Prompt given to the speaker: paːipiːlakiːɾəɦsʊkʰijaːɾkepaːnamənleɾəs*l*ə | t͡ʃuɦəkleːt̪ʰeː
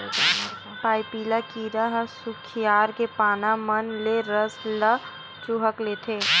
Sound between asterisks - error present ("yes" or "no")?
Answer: no